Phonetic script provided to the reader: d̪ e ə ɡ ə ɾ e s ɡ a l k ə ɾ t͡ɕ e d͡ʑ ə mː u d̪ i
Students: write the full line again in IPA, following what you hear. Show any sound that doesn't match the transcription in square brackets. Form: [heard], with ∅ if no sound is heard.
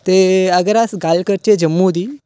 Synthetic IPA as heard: [t̪] e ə ɡ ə ɾ [a] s ɡ a l k ə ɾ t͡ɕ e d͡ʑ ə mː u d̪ i